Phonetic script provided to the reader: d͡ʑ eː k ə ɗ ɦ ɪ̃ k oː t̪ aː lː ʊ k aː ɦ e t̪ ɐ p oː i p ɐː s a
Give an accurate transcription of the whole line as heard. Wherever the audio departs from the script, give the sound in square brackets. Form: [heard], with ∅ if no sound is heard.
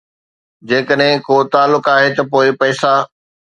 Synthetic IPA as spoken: d͡ʑ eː k ə ɗ ɦ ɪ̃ k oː t̪ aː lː ʊ k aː ɦ e t̪ ɐ p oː [ɪ] p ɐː s a